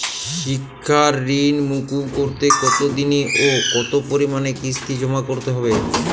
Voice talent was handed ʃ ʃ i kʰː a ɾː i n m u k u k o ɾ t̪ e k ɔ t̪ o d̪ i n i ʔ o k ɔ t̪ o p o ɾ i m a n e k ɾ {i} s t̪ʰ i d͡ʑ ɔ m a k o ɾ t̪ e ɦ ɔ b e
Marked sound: correct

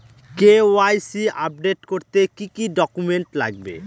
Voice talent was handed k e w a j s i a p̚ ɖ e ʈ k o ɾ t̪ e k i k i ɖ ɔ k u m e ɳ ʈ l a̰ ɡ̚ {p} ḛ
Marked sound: incorrect: b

